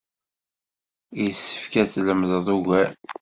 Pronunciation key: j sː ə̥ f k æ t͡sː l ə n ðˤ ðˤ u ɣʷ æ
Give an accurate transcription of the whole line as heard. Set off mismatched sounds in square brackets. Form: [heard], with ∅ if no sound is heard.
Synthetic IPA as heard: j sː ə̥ f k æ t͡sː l ə [m] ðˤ ðˤ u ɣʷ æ